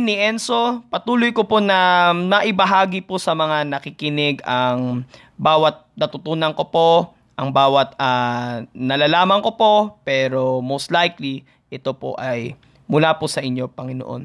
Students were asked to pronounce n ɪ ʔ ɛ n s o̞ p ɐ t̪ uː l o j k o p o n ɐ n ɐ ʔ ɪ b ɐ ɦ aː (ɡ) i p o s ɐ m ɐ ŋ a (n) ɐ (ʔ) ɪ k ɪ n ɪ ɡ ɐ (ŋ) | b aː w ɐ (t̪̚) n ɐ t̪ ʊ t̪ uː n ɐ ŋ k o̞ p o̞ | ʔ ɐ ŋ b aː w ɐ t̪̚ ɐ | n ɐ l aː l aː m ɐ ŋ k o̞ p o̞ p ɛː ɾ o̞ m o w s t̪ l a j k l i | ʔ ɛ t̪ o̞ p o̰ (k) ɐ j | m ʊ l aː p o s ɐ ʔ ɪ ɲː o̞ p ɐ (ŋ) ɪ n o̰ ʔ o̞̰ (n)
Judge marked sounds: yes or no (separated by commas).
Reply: yes, yes, no, yes, yes, no, yes, yes